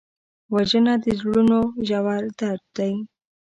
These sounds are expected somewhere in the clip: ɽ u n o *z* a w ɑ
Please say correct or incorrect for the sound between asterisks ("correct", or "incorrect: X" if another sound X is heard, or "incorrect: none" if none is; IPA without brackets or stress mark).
incorrect: ʒ